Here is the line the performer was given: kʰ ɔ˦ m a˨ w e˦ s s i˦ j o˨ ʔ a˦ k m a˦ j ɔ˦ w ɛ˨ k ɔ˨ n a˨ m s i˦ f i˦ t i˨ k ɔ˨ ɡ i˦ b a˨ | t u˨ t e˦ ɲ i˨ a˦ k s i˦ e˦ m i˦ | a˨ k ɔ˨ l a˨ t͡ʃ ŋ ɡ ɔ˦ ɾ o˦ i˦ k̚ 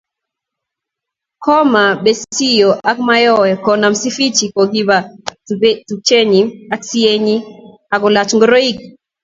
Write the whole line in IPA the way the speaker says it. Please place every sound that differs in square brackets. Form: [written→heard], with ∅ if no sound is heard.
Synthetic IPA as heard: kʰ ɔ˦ m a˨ [w→b] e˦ s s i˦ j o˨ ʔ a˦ k m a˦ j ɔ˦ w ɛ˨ k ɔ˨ n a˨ m s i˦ f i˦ [t→t͡ʃ] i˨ k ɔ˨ ɡ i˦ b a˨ | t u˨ [t→t͡ʃ] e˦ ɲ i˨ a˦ k s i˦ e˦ [m→ɲ] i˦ | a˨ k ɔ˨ l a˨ t͡ʃ ŋ ɡ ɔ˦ ɾ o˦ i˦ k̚